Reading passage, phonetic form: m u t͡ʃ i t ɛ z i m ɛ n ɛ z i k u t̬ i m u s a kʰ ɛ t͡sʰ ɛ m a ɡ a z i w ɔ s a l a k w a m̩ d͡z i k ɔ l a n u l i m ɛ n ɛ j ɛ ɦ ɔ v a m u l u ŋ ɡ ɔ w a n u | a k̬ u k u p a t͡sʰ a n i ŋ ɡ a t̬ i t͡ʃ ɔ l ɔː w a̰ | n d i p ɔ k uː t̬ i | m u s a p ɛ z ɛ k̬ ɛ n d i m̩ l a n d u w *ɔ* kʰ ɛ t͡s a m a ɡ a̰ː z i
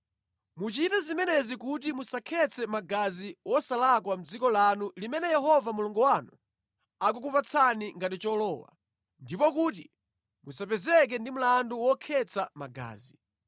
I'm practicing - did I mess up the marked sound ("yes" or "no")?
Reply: no